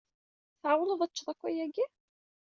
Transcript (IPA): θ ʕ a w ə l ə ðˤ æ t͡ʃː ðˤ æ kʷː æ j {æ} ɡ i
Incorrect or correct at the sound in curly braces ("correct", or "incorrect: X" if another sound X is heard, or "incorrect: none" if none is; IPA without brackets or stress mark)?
correct